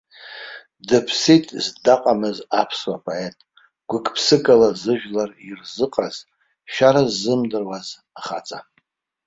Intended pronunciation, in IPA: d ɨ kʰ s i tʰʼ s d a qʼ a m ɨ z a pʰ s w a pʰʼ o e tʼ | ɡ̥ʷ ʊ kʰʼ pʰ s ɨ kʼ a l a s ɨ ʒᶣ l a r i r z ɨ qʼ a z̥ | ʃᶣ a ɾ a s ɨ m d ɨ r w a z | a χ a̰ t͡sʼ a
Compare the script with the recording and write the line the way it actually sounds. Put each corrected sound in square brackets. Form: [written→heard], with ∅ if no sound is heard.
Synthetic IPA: d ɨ [kʰ→pʰ] s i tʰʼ [s→z] d a qʼ a m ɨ z a pʰ s w a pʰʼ o e tʼ | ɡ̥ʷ ʊ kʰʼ pʰ s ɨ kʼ a l a [s→z] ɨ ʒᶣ l a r i r z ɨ qʼ a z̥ | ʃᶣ a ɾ a [s→z] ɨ m d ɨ r w a z | a χ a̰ t͡sʼ a